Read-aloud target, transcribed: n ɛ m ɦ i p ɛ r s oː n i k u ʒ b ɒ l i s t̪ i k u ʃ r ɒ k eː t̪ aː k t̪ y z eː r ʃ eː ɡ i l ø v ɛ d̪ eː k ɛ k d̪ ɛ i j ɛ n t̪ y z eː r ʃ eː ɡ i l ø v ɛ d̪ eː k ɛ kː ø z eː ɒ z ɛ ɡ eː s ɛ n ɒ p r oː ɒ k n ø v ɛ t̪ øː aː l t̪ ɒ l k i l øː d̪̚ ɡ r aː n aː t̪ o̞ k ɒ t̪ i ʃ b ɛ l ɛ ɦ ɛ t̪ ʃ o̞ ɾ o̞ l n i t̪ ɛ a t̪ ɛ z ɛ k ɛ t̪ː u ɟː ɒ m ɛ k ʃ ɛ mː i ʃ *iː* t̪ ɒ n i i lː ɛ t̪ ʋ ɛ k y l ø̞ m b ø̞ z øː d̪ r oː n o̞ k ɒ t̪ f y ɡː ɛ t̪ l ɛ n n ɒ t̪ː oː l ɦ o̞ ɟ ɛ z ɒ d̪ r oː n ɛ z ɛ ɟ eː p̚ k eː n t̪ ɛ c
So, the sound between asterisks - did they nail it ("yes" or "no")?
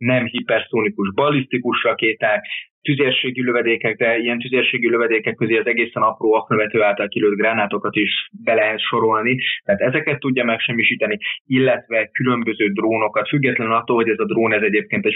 yes